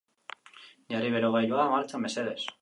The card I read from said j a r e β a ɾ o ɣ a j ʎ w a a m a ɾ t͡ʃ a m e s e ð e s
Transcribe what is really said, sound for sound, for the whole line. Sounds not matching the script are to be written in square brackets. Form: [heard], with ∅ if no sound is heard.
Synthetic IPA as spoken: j a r [i] β [e] ɾ o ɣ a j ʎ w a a m a ɾ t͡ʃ a m e s e ð e s